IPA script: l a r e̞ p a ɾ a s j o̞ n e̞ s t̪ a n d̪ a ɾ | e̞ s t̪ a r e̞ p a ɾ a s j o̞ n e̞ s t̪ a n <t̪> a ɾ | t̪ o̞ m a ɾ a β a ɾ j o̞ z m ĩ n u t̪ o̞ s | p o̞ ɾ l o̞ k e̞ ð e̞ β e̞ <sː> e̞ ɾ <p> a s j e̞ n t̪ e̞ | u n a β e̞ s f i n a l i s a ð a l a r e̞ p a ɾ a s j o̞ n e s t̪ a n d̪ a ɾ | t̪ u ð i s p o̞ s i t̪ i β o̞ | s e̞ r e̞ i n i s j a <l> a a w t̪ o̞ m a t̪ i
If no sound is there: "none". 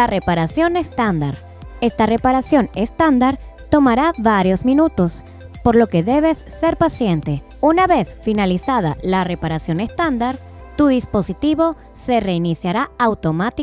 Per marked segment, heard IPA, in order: d̪, sː, p, ɾ

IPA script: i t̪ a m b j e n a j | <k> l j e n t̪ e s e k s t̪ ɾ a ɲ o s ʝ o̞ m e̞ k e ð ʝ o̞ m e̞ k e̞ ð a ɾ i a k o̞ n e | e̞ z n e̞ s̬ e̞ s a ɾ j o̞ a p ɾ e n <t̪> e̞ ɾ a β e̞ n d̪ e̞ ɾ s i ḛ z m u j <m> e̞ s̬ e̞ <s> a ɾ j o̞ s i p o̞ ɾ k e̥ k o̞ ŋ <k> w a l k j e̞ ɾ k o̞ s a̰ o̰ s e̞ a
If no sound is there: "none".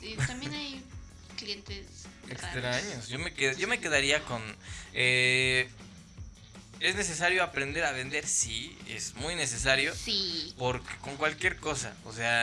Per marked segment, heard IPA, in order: k, d̪, n, s, k

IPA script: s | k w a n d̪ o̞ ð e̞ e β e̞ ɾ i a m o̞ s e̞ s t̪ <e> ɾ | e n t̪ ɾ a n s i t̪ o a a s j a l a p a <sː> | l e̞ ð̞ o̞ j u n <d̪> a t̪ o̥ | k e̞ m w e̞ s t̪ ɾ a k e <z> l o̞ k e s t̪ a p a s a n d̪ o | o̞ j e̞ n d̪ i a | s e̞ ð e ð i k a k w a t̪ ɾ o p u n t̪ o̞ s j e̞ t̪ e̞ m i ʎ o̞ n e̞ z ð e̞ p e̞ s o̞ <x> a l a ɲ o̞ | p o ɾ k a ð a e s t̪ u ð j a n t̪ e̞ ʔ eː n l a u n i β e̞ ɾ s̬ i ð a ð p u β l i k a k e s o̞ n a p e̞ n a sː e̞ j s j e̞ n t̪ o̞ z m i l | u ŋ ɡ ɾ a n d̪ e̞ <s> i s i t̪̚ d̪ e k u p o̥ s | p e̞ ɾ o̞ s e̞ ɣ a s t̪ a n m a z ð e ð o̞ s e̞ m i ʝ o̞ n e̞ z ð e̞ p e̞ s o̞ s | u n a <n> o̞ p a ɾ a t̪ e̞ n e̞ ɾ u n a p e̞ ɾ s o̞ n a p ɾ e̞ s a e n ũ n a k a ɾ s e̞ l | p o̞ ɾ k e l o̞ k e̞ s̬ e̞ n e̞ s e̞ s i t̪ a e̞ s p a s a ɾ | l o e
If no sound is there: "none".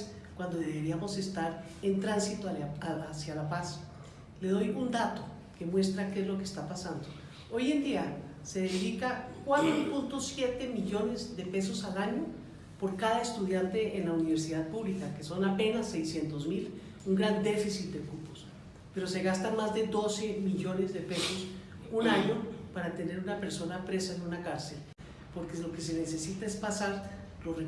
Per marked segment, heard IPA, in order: a, s, d̪, z, s, f, ɲ

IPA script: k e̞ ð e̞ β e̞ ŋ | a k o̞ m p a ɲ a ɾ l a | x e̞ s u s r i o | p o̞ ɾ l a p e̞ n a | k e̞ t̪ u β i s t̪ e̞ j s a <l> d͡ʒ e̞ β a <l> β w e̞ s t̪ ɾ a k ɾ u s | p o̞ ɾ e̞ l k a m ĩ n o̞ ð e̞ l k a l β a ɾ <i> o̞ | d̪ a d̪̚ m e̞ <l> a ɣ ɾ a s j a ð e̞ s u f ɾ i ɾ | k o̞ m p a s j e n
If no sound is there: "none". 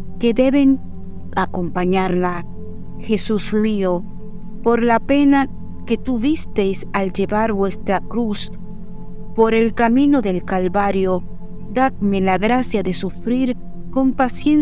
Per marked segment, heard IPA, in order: l, ɾ, j, l

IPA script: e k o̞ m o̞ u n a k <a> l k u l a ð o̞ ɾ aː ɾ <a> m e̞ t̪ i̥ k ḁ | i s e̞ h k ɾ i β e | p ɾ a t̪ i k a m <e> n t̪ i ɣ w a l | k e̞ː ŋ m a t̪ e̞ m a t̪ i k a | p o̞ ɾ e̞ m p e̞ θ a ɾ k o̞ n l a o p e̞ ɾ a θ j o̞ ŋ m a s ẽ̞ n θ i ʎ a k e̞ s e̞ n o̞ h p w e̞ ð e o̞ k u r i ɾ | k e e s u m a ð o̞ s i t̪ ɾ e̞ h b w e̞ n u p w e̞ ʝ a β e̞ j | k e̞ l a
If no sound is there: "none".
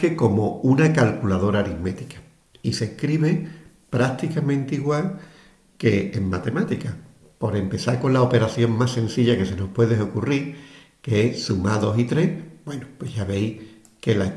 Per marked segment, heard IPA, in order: a, i, ẽ

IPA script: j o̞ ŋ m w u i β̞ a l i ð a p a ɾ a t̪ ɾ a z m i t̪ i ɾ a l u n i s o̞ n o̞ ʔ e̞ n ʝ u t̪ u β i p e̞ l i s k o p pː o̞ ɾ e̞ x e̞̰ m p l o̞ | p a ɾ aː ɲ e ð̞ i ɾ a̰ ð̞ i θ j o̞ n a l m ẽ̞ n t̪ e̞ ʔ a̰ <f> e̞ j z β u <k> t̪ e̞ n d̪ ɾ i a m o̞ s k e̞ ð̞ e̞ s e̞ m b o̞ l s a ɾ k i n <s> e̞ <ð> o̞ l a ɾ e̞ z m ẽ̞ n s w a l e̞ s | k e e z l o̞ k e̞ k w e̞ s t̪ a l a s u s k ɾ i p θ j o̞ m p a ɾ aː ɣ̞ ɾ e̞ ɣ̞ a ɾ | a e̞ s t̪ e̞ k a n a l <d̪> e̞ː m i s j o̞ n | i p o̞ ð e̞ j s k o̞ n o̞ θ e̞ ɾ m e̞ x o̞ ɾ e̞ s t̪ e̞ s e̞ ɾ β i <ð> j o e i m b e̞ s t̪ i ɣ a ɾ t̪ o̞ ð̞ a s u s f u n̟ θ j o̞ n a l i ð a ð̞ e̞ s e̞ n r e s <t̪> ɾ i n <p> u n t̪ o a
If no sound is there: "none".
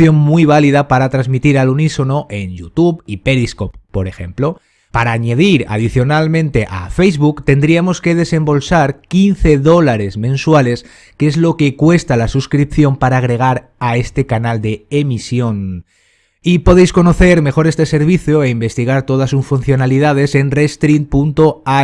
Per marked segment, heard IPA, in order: f, k, θ, ð, d̪, θ, t̪, p

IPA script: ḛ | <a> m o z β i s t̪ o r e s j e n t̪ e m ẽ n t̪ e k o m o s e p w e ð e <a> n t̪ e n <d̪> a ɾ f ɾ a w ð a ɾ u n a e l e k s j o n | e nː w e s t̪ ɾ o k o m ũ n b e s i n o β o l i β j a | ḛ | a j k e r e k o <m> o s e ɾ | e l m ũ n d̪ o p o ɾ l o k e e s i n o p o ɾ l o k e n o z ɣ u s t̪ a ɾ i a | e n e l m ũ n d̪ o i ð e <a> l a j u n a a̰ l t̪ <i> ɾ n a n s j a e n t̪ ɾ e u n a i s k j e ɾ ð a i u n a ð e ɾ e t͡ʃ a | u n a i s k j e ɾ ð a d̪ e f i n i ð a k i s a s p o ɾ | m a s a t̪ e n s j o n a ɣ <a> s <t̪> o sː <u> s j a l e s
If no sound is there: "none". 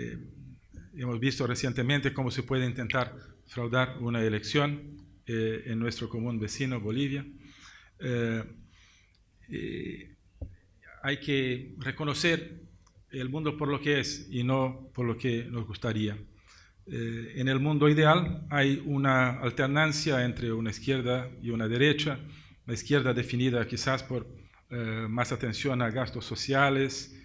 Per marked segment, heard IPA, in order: e, i, t̪, n, a, e, a, t̪, o

